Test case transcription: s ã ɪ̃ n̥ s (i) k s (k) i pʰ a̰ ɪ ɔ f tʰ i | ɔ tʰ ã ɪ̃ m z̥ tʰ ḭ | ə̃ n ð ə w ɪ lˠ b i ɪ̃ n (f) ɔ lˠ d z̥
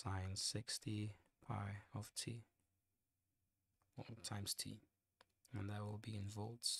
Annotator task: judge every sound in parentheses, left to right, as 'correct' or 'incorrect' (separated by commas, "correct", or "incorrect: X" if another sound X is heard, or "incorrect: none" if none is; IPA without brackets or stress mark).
incorrect: ɪ, incorrect: t, incorrect: v